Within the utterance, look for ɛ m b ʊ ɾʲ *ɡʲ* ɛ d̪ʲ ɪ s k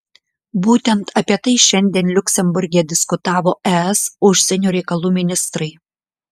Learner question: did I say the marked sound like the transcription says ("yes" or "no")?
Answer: yes